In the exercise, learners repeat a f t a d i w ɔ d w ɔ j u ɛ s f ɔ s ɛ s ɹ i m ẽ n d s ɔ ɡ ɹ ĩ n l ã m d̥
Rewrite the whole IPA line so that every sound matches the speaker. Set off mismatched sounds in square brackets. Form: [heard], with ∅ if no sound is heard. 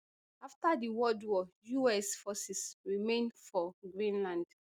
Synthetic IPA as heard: a f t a d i w ɔ d w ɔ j u ɛ s f ɔ s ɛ s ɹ i m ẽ n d [f] ɔ ɡ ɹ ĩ n l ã [n] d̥